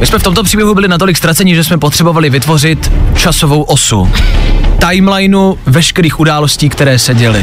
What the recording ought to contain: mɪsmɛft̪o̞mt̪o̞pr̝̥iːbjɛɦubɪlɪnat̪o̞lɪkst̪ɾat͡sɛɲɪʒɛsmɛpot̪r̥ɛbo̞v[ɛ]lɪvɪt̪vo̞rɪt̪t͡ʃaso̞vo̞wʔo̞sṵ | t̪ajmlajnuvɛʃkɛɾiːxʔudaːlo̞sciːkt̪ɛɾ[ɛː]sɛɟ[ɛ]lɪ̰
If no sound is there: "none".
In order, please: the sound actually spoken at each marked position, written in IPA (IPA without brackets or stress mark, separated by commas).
a, ɛː, ɛ